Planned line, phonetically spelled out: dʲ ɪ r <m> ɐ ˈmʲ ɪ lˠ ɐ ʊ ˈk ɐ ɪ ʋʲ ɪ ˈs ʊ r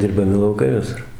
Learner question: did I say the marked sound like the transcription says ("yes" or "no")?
no